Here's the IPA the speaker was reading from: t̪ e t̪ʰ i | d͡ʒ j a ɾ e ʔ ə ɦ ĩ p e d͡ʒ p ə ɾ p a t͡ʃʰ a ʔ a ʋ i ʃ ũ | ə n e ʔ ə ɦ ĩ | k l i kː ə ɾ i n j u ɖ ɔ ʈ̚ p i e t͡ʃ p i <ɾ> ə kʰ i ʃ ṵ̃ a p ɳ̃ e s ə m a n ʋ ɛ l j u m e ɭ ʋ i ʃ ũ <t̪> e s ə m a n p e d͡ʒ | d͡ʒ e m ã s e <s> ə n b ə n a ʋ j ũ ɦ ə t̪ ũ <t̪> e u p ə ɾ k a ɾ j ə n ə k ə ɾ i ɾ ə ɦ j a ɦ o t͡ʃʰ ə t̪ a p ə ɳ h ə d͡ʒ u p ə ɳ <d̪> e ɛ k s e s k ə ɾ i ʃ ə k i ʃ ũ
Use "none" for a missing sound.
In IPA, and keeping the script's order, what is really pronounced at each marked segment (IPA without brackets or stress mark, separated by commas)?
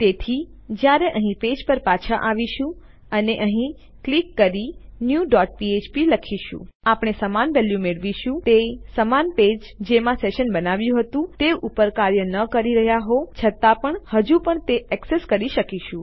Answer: l, t̪, ʃ, t̪, t̪